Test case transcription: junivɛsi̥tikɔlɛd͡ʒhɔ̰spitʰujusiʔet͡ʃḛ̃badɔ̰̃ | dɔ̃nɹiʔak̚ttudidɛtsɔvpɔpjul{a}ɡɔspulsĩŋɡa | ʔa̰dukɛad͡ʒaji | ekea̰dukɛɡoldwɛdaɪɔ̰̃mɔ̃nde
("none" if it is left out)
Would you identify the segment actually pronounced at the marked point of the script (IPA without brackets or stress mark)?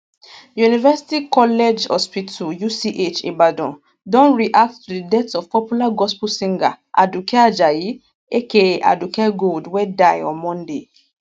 a